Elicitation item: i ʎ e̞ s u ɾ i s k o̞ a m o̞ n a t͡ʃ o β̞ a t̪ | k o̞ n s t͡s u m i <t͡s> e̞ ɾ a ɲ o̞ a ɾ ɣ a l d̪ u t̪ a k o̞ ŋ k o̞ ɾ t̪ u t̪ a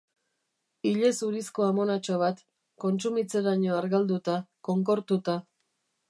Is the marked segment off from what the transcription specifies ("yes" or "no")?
no